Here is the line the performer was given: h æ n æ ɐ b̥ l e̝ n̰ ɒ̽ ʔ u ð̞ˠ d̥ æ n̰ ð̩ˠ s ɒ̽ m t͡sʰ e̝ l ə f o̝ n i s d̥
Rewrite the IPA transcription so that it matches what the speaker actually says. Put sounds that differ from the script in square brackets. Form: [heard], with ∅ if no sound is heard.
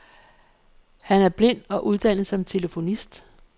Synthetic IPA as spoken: h æ n æ ɐ b̥ l e̝ n̰ ɒ̽ ʔ u ð̞ˠ d̥ æ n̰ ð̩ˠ s ɒ̽ m t͡sʰ e̝ l ə f o̝ n i s d̥

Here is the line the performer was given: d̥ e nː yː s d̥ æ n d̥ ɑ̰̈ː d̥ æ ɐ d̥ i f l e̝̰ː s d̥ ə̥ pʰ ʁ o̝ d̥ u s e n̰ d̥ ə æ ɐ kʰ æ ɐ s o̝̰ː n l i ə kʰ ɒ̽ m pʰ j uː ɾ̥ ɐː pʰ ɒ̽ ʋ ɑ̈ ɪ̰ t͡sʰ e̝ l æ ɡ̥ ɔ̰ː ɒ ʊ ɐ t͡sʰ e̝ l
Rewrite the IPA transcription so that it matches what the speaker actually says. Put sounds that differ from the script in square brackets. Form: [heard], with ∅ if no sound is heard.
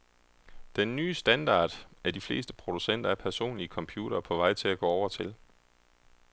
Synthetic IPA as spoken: d̥ e nː yː s d̥ æ n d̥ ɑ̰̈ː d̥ æ ɐ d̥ i f l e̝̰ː s d̥ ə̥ pʰ ʁ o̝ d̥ u s e n̰ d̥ [ɐ] æ ɐ [pʰ] æ ɐ s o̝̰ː n l i ə kʰ ɒ̽ m pʰ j uː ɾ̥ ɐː pʰ ɒ̽ ʋ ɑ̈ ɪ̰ t͡sʰ e̝ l æ ɡ̥ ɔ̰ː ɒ ʊ ɐ t͡sʰ e̝ l

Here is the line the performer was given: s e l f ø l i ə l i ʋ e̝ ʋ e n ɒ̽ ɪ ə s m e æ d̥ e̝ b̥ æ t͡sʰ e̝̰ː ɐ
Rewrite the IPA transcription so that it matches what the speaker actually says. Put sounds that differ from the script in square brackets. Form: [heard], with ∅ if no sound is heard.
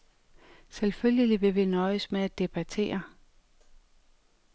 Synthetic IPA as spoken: s e l f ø l [j] ə l i ʋ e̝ ʋ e n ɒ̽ ɪ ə s m e æ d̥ e̝ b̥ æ t͡sʰ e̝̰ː ɐ

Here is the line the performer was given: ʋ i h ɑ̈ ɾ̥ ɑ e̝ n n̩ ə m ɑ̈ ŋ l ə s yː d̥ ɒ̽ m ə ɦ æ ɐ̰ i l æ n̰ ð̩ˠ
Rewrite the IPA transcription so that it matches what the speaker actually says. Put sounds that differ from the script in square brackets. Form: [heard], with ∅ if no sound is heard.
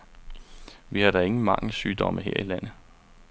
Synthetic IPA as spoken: ʋ i h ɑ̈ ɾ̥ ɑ e̝ [ŋ] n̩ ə m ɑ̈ ŋ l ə s yː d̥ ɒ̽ m ə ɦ [e] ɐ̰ i l æ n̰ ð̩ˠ

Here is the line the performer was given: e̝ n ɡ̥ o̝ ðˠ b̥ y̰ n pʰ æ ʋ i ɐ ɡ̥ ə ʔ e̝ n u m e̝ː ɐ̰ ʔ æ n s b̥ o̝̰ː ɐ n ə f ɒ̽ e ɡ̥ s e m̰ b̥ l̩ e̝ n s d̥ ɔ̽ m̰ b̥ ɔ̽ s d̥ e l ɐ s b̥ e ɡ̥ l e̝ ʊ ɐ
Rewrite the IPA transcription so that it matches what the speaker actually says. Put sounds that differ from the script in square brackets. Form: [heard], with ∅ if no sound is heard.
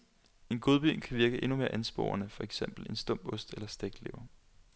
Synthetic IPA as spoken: e̝ n ɡ̥ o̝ ðˠ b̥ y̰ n [kʰ] æ ʋ i ɐ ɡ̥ ə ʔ e̝ n u m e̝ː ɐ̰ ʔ æ n s b̥ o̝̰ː ɐ n ə f ɒ̽ e ɡ̥ s e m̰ b̥ l̩ e̝ n s d̥ ɔ̽ m̰ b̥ ɔ̽ s d̥ e l ɐ s [d̥] e ɡ̥ l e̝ ʊ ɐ

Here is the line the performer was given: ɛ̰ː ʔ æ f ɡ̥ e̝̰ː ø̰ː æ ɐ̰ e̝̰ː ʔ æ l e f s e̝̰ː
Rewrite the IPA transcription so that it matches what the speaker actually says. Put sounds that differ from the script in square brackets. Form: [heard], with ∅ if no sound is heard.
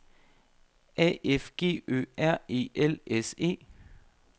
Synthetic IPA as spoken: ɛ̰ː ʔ [e] f ɡ̥ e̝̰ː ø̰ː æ ɐ̰ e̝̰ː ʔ [e] l e [∅] s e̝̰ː

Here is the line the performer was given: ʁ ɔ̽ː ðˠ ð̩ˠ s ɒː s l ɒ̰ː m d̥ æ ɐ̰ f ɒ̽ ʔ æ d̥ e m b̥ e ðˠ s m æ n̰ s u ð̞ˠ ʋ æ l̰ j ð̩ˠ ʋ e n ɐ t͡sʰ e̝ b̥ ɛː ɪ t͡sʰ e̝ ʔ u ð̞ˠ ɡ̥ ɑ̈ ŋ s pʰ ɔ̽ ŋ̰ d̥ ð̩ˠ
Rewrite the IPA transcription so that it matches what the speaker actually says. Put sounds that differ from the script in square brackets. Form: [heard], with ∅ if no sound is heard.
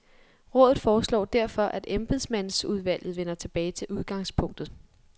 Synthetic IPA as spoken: ʁ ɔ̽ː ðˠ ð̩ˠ [f] ɒː s l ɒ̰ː [∅] d̥ æ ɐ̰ f ɒ̽ ʔ æ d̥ e m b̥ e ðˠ s m æ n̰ s u ð̞ˠ ʋ æ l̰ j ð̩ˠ ʋ e n ɐ t͡sʰ e̝ b̥ ɛː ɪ t͡sʰ e̝ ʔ u ð̞ˠ ɡ̥ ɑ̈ ŋ s pʰ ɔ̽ ŋ̰ d̥ ð̩ˠ

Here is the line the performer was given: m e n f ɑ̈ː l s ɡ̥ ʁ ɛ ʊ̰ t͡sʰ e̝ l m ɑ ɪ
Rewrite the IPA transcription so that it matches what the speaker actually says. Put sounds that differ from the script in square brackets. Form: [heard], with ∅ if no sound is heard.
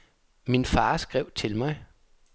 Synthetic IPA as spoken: m [i] n f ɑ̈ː [∅] s ɡ̥ ʁ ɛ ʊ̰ t͡sʰ e̝ l m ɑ ɪ

